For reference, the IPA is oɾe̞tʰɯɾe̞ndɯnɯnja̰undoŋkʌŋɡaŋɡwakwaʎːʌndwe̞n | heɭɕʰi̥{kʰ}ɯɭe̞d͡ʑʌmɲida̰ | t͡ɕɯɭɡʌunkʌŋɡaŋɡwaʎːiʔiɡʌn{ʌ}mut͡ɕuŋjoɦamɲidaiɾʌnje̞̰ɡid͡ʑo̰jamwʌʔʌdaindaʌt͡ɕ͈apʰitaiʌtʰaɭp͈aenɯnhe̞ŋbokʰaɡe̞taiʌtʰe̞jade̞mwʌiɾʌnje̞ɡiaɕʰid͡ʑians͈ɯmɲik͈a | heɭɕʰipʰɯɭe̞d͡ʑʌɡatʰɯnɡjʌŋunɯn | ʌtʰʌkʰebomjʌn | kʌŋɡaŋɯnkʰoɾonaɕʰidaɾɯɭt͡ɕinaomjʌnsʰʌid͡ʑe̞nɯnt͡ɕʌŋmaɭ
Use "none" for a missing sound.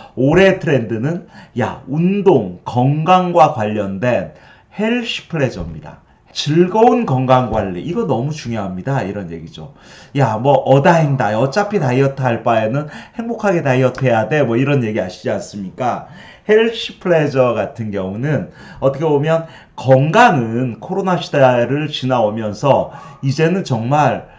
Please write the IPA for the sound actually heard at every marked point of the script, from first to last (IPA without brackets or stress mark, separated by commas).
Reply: pʰ, ʌ